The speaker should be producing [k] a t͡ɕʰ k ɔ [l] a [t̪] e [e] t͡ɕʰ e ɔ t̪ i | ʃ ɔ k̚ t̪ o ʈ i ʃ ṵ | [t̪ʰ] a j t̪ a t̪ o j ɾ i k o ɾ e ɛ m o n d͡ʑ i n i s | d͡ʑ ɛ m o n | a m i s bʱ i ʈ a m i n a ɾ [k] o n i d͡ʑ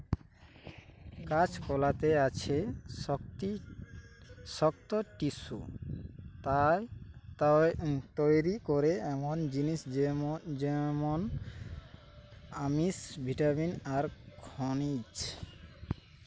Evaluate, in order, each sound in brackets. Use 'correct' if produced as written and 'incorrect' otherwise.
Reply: correct, correct, correct, incorrect, incorrect, incorrect

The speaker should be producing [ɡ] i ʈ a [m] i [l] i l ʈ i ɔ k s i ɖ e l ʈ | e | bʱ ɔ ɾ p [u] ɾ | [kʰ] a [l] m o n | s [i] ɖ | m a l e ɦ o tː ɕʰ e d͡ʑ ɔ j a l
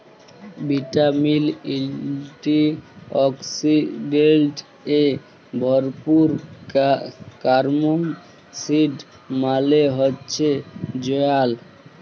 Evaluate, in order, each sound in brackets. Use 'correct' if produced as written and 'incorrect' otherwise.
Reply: incorrect, correct, correct, correct, incorrect, incorrect, correct

